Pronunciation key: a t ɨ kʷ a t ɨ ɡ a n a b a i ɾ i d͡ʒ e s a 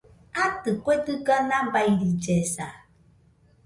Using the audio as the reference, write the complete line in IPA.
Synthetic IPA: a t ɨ kʷ e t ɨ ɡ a n a b a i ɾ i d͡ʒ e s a